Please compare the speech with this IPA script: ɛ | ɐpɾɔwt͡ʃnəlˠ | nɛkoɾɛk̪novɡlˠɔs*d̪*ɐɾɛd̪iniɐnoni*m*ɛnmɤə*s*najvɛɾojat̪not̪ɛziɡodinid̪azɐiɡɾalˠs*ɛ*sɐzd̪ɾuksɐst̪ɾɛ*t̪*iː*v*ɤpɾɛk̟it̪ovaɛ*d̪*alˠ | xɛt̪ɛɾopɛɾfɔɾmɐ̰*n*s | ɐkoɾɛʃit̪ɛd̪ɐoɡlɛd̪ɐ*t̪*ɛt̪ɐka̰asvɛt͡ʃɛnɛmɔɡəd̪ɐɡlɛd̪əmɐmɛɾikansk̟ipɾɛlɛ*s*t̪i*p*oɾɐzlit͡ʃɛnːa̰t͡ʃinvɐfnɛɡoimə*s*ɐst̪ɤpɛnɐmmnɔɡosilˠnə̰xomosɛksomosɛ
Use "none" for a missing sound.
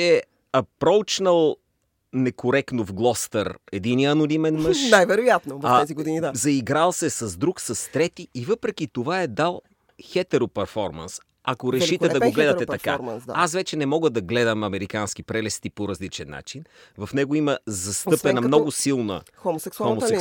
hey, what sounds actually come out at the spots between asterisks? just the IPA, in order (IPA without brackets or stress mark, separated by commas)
t̪, m, ʃ, ɛ, t̪, v, d̪, n, t̪, s, p, z